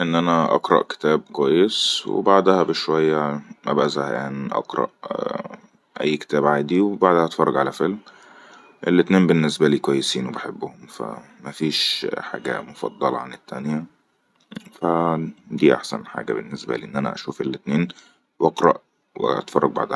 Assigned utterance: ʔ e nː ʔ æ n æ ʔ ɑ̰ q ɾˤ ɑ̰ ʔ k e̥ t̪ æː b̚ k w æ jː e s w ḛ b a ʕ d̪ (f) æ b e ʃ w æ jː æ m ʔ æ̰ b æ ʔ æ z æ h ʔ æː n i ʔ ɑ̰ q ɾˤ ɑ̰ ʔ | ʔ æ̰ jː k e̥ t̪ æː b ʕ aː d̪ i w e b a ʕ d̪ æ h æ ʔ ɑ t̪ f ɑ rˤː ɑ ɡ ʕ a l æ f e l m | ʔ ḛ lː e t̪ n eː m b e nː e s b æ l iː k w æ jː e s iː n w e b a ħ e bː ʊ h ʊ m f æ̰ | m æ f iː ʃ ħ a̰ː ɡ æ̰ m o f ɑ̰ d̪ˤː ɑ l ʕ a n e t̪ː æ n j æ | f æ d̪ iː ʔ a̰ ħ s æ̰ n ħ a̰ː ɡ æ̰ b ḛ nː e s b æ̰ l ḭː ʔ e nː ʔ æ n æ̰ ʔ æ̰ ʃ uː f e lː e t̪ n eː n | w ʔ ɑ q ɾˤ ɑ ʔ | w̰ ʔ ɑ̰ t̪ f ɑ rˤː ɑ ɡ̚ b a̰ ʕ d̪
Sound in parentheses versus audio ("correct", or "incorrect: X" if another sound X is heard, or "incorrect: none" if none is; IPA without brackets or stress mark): incorrect: h